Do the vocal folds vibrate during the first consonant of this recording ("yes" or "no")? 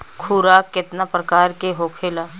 no